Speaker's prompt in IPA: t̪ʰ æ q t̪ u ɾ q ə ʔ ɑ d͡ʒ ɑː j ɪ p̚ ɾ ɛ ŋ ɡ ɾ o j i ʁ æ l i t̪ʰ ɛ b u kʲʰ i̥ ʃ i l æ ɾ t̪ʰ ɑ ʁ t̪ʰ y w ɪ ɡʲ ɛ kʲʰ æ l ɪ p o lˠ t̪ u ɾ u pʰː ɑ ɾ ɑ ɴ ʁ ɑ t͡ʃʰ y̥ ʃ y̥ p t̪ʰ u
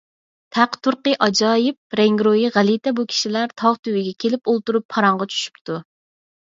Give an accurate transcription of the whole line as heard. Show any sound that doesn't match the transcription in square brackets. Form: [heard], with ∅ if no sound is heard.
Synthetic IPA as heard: t̪ʰ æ q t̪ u ɾ q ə ʔ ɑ d͡ʒ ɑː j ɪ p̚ ɾ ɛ ŋ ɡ ɾ o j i ʁ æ l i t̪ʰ ɛ b u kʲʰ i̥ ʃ i l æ ɾ t̪ʰ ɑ ʁ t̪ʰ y w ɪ ɡʲ ɛ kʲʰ [e] l ɪ p o lˠ t̪ u ɾ u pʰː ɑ ɾ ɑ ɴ ʁ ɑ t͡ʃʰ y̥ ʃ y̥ p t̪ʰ u